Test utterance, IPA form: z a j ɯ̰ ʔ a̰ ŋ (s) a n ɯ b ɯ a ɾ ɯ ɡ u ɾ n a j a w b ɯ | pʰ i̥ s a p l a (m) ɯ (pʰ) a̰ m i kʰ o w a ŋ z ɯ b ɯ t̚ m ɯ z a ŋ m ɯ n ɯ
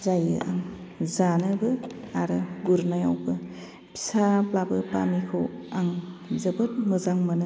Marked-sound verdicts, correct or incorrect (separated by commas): incorrect, incorrect, incorrect